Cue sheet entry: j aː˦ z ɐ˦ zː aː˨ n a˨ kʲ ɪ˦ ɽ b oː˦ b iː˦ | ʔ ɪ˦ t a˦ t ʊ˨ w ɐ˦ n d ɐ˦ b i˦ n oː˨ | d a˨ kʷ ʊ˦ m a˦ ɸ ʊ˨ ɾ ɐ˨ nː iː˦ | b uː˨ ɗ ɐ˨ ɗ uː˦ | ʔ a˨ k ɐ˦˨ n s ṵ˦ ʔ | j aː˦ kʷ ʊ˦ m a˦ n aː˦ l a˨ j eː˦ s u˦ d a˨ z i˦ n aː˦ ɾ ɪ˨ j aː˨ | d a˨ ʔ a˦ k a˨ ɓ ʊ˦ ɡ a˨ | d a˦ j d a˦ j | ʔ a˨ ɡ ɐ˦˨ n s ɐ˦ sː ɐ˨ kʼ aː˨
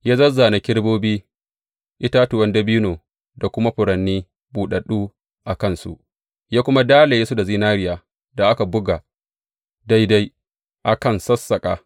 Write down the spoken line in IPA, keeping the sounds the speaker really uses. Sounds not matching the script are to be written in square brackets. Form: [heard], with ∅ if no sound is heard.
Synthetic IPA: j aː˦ z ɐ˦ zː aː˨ n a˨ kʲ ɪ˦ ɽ b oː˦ b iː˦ | ʔ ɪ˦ t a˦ t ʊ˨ w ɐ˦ n d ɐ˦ b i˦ n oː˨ | d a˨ kʷ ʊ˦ m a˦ ɸ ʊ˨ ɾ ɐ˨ nː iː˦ | b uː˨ ɗ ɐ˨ ɗ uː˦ | ʔ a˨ k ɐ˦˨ n s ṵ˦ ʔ | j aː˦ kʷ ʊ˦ m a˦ [d] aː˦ l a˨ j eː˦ s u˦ d a˨ z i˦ n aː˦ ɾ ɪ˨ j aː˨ | d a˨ ʔ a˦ k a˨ [b] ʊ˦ ɡ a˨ | d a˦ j d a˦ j | ʔ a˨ [k] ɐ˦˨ n s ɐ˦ sː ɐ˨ kʼ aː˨

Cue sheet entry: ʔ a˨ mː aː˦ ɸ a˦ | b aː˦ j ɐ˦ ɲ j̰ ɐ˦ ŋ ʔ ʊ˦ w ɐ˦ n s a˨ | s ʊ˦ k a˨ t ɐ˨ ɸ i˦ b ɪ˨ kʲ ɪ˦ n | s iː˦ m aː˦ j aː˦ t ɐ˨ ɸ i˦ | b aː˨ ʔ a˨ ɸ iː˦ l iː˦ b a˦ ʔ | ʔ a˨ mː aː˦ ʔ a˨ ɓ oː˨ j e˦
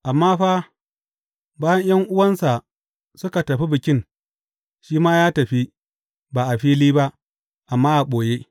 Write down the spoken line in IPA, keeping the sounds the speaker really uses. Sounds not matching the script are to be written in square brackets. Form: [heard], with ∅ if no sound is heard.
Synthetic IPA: ʔ a˨ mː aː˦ ɸ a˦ | b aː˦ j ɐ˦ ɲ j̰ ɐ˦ ŋ ʔ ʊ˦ w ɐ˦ n s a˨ | s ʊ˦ k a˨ t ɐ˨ ɸ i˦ b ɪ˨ kʲ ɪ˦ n | [ʃ] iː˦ m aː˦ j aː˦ t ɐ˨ ɸ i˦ | b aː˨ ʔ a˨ ɸ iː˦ l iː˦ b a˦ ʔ | ʔ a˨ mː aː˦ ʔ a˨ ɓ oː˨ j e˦

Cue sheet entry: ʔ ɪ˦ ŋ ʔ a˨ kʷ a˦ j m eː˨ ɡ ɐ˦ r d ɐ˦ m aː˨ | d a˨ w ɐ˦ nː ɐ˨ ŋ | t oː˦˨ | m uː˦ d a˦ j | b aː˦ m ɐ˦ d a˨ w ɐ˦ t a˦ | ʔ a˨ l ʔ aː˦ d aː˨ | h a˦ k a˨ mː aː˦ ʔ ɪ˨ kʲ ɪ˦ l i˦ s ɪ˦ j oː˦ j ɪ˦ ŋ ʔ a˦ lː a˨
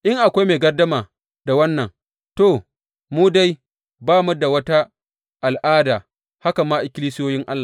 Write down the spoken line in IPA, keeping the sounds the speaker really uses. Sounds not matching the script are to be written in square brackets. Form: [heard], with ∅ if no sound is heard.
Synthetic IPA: ʔ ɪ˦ ŋ ʔ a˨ kʷ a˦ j m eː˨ ɡ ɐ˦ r d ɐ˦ m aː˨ | d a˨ w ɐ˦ nː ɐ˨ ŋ | t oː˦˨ | m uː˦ d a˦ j | b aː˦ m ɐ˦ d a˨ w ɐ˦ t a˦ | ʔ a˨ l ʔ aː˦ d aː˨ | h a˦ k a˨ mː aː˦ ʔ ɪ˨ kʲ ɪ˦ l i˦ s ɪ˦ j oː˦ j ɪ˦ ŋ ʔ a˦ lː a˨

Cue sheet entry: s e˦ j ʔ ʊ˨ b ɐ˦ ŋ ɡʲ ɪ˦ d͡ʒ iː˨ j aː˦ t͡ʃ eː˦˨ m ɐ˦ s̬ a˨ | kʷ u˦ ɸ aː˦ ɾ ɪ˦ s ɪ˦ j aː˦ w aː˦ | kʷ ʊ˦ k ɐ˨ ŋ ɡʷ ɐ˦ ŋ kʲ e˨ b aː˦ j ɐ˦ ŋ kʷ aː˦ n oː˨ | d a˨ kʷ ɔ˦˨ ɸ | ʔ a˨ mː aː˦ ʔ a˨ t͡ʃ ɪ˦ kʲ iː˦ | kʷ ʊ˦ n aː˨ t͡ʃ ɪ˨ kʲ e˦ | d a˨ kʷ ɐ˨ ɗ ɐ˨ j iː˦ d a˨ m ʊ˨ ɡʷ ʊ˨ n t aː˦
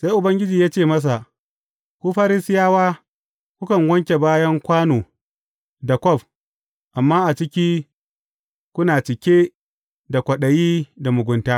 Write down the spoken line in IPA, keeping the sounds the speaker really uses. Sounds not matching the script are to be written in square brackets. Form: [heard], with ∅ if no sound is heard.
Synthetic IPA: s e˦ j ʔ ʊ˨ b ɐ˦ ŋ ɡʲ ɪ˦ d͡ʒ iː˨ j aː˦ t͡ʃ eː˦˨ m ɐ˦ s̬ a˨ | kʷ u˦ ɸ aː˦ ɾ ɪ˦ s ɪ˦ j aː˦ w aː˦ | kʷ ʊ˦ k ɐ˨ ŋ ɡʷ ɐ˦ ŋ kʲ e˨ b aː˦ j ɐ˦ ŋ kʷ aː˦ n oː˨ | d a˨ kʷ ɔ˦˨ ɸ | ʔ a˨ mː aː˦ ʔ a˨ t͡ʃ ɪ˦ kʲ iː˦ | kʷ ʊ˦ n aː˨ t͡ʃ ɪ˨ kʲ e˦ | d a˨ kʷ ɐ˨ ɗ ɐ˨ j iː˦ d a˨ m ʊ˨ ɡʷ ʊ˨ n t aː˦

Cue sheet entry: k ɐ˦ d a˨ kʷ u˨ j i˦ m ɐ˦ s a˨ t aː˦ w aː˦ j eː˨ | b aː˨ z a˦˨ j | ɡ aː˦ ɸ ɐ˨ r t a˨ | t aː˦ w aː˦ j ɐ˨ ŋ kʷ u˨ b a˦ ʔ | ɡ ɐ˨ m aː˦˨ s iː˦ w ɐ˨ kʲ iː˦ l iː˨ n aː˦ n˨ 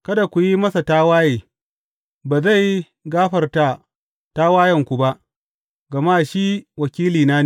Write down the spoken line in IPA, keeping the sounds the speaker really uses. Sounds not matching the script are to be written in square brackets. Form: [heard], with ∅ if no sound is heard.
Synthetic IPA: k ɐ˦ d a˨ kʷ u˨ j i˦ m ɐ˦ s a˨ t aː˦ w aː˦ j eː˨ | b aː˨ z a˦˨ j | ɡ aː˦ ɸ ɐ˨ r t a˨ | t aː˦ w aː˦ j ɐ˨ ŋ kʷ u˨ b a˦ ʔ | ɡ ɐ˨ m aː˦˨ [ʃ] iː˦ w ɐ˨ kʲ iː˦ l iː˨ n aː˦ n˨

